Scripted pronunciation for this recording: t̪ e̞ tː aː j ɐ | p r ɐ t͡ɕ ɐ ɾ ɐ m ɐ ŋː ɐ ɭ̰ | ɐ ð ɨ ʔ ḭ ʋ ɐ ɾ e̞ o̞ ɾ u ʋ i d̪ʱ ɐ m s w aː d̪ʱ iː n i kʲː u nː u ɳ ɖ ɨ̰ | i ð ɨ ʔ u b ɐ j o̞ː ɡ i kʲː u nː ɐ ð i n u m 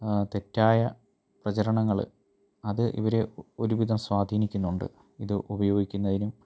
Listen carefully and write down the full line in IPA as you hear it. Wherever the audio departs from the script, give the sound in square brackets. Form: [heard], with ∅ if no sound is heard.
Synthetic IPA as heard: t̪ e̞ tː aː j ɐ | p r ɐ t͡ɕ ɐ ɾ ɐ [ɳ] ɐ ŋː ɐ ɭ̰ | ɐ ð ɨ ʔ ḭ ʋ ɐ ɾ e̞ o̞ ɾ u ʋ i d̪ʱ ɐ m s w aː d̪ʱ iː n i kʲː u nː u ɳ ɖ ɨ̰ | i ð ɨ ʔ u b ɐ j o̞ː ɡ i kʲː u nː ɐ ð i n u m